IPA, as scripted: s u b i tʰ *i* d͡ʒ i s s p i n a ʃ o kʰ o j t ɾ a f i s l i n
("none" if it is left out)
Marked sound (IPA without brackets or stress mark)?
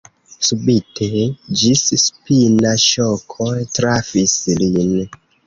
e